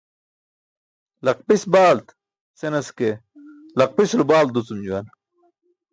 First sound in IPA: l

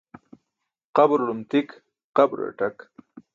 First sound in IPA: q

